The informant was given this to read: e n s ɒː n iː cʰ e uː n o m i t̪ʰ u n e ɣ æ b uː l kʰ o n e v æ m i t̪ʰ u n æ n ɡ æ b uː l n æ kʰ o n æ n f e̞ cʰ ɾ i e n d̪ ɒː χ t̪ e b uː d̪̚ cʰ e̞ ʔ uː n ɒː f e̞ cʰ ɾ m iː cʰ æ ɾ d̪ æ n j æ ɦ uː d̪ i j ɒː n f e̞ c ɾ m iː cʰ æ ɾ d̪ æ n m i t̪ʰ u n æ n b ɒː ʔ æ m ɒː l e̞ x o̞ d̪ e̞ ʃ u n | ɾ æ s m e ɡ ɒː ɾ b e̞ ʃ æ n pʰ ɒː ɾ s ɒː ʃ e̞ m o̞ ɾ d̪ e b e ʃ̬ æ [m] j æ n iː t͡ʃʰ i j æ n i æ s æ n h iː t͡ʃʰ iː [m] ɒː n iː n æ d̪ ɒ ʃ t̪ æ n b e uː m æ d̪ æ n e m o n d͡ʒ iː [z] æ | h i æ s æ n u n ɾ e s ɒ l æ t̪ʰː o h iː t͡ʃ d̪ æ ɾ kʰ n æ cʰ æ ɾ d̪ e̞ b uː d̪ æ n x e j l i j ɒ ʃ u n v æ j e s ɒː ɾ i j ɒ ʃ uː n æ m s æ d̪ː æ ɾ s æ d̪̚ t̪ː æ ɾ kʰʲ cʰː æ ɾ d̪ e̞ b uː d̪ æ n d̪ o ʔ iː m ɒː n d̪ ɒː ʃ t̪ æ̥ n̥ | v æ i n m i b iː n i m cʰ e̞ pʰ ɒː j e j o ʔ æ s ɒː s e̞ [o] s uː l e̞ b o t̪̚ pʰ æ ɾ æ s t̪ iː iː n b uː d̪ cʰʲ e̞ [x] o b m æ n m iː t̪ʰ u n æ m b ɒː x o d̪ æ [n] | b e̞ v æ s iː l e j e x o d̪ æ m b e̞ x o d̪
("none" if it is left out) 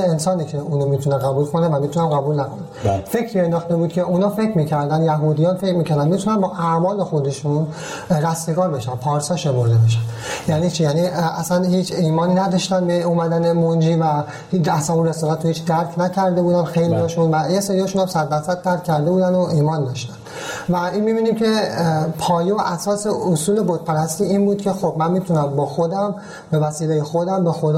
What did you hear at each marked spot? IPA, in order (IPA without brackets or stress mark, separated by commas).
n, m, v, o, x, m